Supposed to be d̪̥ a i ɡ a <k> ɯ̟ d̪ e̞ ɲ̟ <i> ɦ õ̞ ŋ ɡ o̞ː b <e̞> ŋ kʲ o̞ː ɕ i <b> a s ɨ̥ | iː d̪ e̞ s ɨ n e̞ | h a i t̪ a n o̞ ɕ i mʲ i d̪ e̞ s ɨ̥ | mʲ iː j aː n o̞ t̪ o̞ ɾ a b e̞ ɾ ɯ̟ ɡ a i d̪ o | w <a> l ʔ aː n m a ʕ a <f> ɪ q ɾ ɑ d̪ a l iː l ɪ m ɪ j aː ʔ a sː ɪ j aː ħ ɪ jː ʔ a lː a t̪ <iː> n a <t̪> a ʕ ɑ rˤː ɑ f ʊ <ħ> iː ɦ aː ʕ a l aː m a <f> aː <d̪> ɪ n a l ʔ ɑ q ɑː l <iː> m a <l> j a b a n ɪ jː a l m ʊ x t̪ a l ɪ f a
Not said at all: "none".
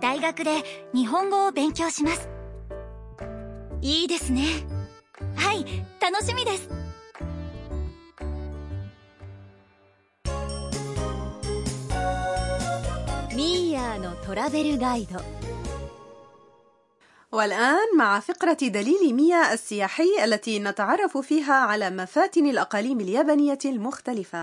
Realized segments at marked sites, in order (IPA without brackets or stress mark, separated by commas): k, i, ẽ̞, m, a, f, iː, t̪, f, f, t̪, iː, l